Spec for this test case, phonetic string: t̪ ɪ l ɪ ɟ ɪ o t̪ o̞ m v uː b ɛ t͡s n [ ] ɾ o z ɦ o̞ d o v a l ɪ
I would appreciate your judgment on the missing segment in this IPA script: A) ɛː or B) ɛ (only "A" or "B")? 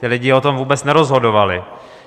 B